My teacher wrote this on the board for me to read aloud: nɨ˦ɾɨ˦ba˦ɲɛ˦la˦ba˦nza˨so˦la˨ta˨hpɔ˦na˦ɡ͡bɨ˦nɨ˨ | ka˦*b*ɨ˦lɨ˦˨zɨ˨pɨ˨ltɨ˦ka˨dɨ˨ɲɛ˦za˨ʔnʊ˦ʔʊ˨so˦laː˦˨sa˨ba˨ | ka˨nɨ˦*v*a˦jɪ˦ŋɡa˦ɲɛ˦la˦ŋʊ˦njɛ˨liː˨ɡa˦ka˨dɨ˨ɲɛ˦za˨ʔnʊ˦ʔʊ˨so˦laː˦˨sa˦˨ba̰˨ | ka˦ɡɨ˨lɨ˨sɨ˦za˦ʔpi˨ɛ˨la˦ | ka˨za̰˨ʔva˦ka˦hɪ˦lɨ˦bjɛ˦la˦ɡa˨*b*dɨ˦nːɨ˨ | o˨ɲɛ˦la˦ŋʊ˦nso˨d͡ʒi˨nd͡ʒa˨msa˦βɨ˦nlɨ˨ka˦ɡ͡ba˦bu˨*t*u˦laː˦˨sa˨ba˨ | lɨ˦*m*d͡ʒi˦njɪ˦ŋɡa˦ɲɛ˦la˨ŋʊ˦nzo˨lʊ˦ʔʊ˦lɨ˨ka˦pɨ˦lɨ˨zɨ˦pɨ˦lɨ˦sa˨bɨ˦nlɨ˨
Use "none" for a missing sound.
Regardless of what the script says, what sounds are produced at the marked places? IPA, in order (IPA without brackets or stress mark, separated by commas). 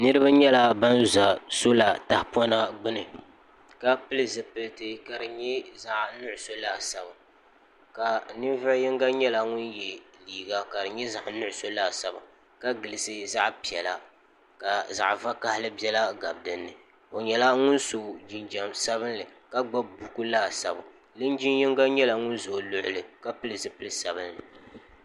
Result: p, v, b, k, n